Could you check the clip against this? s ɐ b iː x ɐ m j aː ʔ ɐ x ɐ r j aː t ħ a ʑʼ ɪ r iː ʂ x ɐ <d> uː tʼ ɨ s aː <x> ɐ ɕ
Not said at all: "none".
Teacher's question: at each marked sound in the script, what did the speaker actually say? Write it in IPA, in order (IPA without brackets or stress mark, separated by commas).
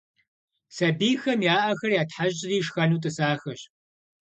n, x